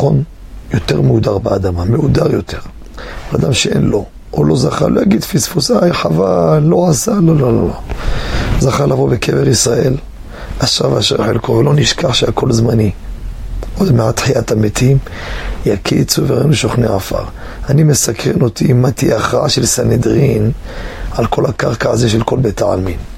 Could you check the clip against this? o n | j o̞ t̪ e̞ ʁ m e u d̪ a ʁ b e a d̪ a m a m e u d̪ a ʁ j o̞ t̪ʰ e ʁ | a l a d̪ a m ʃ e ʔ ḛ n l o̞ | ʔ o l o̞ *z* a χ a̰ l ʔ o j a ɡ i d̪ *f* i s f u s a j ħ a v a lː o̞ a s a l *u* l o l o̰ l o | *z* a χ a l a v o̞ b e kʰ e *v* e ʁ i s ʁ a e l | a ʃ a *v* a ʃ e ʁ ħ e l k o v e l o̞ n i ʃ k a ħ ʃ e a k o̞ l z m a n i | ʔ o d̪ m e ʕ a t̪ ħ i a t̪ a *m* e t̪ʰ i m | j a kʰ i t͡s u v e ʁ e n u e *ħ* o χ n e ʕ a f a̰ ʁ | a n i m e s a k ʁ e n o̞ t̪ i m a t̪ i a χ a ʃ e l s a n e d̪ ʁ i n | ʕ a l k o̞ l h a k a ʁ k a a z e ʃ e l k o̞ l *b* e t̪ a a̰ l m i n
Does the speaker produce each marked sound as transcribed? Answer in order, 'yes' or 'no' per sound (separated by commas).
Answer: yes, yes, no, yes, yes, yes, yes, no, yes